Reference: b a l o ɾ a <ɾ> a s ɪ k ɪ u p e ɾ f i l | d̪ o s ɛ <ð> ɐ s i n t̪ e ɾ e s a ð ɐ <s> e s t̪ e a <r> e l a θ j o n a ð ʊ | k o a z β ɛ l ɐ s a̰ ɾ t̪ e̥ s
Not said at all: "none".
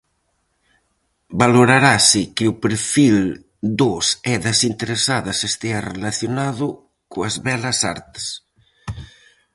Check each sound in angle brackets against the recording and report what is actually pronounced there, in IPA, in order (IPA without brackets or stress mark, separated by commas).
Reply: ɾ, ð, s, r